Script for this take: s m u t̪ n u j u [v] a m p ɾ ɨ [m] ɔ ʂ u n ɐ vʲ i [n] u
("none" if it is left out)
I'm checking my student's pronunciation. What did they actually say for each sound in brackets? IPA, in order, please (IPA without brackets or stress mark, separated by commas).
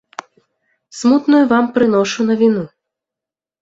v, n, n